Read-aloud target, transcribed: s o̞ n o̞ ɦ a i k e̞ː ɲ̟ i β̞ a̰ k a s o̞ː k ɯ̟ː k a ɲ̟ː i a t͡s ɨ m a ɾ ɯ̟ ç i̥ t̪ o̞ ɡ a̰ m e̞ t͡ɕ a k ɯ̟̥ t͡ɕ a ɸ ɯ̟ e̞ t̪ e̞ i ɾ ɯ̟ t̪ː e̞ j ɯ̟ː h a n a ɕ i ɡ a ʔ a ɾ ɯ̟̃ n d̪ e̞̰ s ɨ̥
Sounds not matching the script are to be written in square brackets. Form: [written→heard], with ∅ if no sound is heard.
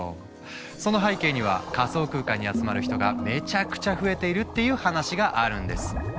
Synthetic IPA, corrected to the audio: s o̞ n o̞ ɦ a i k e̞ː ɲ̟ i β̞ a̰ k a s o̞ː k ɯ̟ː k a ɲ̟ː i a t͡s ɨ m a ɾ ɯ̟ ç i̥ t̪ o̞ ɡ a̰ m e̞ t͡ɕ a k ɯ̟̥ t͡ɕ a ɸ ɯ̟ e̞ t̪ e̞ i ɾ ɯ̟ t̪ː e̞ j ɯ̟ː h a n a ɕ i ɡ a ʔ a ɾ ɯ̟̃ n d̪ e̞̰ s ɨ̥